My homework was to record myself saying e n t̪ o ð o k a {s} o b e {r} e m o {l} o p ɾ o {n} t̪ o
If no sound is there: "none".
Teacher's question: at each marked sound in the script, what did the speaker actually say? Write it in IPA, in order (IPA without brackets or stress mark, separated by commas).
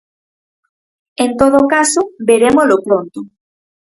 s, ɾ, l, n